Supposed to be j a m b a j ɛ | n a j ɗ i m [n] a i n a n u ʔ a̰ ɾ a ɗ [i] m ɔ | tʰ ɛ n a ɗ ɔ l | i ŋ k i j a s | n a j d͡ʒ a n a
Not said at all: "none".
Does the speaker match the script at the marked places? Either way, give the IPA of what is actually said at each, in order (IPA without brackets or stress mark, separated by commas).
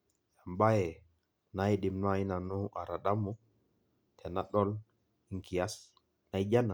n, a